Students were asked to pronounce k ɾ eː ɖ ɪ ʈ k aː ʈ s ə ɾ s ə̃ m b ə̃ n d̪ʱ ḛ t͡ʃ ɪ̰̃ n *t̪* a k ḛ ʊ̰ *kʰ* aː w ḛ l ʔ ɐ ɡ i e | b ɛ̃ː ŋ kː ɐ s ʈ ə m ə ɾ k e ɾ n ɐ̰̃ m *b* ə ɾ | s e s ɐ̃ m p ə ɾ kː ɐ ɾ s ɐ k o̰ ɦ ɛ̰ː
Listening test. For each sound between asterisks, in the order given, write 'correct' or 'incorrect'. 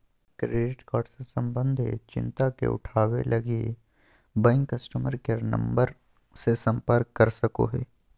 correct, incorrect: ʈʰ, correct

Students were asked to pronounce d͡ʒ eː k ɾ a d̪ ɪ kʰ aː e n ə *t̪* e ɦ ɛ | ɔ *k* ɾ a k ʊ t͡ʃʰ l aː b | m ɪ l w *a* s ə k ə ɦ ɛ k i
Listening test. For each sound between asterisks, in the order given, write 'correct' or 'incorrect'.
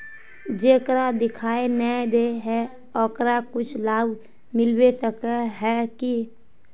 incorrect: d̪, correct, incorrect: e

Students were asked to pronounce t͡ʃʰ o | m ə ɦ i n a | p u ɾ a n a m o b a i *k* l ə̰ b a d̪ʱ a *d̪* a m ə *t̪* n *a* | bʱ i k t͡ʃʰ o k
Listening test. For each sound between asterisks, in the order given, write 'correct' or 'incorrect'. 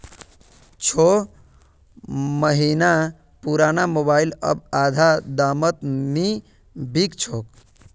incorrect: none, correct, correct, incorrect: i

